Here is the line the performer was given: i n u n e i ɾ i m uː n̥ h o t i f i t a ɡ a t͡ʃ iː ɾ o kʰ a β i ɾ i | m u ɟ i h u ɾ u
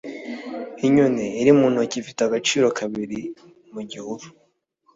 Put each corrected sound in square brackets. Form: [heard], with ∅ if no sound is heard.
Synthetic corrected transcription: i [ɲ] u n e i ɾ i m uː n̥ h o [c] i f i t a ɡ a t͡ʃ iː ɾ o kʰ a β i ɾ i | m u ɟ i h u ɾ u